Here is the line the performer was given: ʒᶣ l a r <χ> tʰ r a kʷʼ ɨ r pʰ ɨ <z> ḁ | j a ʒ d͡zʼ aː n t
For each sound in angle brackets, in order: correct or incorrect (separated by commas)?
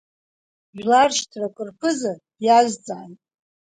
incorrect, correct